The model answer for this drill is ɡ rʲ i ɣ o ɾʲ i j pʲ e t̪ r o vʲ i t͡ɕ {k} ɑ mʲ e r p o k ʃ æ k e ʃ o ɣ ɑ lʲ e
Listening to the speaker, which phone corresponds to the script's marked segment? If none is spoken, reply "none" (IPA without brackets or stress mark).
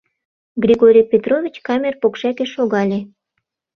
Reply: k